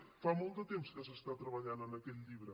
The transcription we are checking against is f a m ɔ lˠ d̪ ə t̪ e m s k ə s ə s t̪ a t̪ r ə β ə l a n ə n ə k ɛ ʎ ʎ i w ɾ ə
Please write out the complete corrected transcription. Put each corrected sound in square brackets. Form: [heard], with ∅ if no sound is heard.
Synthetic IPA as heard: f a m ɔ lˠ d̪ ə t̪ e m s k ə s ə s t̪ a t̪ [ɾ] ə β ə [ʎ] a n ə n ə k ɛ ʎ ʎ i [β] ɾ ə